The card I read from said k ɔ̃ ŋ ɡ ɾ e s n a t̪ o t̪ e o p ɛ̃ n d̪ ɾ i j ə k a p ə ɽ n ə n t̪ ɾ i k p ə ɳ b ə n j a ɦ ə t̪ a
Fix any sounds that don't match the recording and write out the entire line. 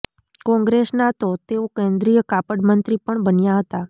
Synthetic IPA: k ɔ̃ ŋ ɡ ɾ e s n a t̪ o t̪ e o k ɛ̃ n d̪ ɾ i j ə k a p ə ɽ m ə n t̪ ɾ i p ə ɳ b ə n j a ɦ ə t̪ a